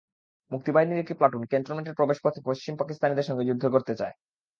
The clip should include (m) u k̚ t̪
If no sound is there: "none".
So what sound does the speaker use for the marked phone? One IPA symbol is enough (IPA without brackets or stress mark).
m